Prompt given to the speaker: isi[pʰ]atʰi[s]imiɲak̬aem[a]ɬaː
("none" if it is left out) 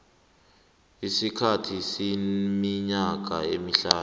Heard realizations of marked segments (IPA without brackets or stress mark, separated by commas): kʰ, s, i